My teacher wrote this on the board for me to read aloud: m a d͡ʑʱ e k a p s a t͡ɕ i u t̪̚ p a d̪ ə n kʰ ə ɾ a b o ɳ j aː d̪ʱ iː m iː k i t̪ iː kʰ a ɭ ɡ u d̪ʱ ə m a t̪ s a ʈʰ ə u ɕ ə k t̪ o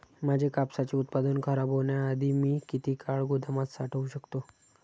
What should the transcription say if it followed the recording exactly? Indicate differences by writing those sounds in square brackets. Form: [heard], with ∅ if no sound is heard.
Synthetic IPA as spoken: m a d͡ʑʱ e k a p s a t͡ɕ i u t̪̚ p a d̪ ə n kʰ ə ɾ a b o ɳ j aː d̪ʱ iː m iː k i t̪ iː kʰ a ɭ ɡ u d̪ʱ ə m a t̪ s a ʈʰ ə u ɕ ə k t̪ o